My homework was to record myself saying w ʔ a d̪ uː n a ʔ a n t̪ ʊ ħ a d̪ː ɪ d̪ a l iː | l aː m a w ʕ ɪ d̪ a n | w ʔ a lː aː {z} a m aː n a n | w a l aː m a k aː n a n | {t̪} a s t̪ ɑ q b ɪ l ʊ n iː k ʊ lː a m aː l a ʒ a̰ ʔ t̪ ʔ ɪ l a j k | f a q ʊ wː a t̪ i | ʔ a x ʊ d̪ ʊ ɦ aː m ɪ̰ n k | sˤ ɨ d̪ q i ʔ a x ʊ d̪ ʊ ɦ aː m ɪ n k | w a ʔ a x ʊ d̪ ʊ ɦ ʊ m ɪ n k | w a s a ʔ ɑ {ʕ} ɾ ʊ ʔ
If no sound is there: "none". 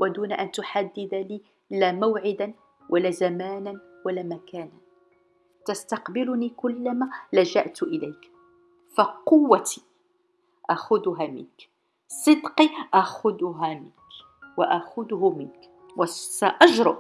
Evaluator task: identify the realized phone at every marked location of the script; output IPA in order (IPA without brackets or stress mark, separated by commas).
z, t̪, ʒ